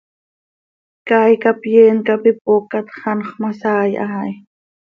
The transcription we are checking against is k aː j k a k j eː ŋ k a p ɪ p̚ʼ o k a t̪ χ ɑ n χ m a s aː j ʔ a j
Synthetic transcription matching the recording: k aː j k a p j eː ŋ k a p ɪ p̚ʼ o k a t̪ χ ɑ n χ m a s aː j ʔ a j